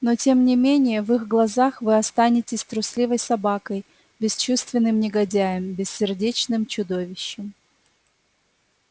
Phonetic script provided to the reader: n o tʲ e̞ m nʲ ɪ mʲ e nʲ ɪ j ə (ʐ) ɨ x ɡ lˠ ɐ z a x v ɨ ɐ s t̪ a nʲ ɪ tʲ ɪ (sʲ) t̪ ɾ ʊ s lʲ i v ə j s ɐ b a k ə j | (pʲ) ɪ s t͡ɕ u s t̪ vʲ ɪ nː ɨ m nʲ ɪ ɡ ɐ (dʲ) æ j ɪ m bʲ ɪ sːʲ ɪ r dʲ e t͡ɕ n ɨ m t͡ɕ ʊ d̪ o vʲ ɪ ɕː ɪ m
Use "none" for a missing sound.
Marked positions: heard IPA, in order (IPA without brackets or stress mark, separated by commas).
v, sʲ, bʲ, dʲ